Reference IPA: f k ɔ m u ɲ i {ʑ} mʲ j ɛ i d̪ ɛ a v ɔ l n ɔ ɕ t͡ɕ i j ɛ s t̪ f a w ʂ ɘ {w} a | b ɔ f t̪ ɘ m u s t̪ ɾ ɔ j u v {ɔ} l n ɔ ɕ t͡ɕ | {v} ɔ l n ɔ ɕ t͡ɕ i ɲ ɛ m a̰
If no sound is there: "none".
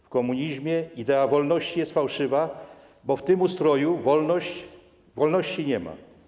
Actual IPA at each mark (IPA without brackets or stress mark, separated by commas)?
ʑ, v, ɔ, v